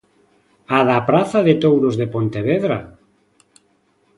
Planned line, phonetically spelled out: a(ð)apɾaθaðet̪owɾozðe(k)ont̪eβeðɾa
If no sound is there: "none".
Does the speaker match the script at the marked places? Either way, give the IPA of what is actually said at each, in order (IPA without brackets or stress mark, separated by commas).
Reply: ð, p